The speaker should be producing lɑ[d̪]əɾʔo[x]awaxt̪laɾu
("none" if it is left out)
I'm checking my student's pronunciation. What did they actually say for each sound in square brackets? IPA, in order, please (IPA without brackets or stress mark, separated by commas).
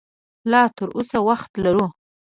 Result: t̪, s